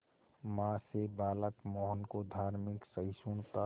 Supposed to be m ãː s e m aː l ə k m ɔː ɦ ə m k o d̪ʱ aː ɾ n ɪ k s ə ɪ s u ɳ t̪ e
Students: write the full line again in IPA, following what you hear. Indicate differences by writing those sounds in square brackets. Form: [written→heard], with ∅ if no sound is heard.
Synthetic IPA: m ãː s e [m→b] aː l ə k m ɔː ɦ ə [m→n] k o d̪ʱ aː ɾ [n→m] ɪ k s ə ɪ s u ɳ t̪ [e→a]